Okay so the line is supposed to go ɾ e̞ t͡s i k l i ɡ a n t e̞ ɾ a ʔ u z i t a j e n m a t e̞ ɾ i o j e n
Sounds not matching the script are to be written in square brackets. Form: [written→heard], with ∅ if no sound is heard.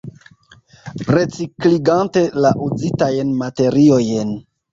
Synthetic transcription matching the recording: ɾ e̞ t͡s i k l i ɡ a n t e̞ [ɾ→l] a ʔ u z i t a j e n m a t e̞ ɾ i o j e n